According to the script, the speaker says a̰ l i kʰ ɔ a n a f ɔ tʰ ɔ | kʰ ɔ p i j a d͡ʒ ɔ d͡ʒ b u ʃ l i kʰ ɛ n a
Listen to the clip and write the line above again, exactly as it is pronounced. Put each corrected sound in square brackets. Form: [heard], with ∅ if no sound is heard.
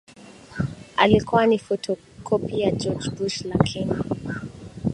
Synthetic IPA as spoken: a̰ l i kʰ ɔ a n [i] f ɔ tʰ ɔ | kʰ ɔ p i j a d͡ʒ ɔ d͡ʒ b u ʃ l [a] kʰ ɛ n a